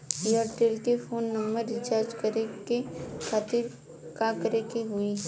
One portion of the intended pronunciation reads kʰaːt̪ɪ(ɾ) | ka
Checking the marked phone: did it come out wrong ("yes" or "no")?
no